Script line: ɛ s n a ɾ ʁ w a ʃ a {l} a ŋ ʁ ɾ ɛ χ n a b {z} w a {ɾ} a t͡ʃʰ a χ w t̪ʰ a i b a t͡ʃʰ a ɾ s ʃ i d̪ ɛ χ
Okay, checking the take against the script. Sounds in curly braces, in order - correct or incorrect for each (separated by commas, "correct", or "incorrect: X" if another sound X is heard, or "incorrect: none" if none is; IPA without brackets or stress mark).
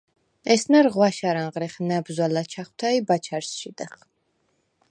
incorrect: ɾ, correct, incorrect: l